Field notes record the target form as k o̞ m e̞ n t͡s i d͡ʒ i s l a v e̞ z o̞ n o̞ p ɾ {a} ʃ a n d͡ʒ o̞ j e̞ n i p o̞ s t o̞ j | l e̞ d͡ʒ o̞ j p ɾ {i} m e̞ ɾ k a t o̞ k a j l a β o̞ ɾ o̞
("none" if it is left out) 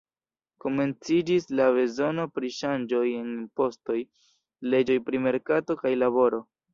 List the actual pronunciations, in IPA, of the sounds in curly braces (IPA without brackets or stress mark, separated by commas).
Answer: i, i